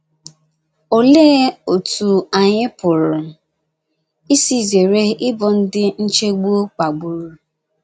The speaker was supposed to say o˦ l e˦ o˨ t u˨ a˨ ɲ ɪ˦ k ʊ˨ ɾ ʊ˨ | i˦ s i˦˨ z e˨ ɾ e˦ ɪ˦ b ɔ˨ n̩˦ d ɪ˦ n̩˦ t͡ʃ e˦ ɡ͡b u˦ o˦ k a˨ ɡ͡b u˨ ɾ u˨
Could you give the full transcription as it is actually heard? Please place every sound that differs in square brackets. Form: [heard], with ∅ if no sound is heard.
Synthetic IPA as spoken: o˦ l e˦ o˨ t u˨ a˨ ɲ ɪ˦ [p] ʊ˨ ɾ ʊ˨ | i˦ s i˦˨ z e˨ ɾ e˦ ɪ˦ b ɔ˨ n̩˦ d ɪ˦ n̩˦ t͡ʃ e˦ ɡ͡b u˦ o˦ [k͡p] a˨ ɡ͡b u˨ ɾ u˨